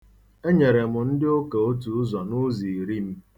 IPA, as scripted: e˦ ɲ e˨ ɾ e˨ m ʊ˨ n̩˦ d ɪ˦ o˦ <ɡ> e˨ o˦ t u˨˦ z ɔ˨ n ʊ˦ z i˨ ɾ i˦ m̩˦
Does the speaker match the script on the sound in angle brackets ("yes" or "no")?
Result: no